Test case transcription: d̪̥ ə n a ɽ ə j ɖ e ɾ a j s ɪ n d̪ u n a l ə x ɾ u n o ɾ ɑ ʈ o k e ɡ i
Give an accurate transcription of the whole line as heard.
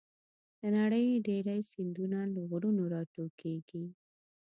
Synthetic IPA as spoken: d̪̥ ə n a ɽ ə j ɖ e ɾ a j s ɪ n d̪ u n a l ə ɣ ɾ u n o ɾ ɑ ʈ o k e ɡ i